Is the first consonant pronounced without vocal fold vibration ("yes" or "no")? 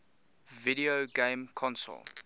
no